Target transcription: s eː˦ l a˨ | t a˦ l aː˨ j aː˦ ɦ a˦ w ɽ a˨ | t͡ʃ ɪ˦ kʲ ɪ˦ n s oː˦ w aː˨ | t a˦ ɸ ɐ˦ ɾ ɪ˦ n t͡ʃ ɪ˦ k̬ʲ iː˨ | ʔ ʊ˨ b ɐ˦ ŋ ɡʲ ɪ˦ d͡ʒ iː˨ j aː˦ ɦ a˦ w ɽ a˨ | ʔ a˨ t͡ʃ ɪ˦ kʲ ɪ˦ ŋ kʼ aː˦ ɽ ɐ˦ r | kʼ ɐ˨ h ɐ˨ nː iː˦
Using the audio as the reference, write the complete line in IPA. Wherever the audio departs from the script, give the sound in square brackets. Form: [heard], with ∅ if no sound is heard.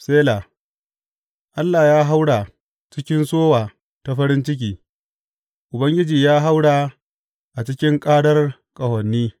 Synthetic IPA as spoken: s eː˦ l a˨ | [ʔ] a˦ [lː] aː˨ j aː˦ ɦ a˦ w ɽ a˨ | t͡ʃ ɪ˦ kʲ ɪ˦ n s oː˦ w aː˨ | t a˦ ɸ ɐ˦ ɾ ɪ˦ n t͡ʃ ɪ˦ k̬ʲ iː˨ | ʔ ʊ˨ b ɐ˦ ŋ ɡʲ ɪ˦ d͡ʒ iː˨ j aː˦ ɦ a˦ w ɽ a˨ | ʔ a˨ t͡ʃ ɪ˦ kʲ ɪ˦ ŋ kʼ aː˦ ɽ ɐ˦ r | kʼ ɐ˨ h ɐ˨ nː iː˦